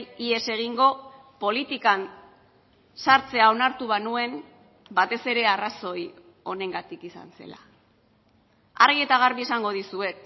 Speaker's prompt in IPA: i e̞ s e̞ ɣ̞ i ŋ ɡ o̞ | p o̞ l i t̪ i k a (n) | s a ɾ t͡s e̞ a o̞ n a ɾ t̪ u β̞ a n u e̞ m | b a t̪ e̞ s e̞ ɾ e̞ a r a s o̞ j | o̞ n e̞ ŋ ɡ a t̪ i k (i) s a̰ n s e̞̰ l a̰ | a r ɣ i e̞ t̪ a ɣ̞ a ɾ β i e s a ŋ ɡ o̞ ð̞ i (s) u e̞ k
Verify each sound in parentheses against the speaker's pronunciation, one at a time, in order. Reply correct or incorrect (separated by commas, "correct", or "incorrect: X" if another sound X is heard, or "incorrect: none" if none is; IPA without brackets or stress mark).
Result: correct, correct, correct